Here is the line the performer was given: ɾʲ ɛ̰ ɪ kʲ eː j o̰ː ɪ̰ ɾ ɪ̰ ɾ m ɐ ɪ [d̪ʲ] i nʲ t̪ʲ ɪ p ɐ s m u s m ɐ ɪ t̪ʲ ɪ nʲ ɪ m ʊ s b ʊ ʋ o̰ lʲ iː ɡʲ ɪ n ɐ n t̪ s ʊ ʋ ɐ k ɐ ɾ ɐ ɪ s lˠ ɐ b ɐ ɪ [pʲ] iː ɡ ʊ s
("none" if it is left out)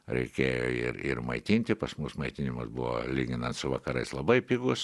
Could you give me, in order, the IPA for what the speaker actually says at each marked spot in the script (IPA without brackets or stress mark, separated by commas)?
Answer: t̪ʲ, pʲ